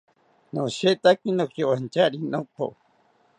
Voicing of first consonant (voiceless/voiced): voiced